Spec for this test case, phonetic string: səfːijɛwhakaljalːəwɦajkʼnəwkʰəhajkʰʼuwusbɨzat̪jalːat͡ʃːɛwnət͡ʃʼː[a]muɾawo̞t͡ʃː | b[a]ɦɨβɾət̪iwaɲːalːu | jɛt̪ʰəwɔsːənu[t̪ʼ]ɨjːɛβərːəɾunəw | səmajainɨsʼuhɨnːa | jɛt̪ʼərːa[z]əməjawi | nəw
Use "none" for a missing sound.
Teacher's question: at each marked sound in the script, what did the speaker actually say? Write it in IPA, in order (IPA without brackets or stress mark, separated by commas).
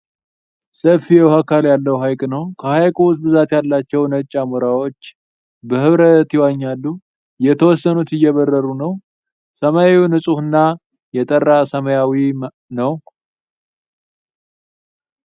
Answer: a, ə, t̪, s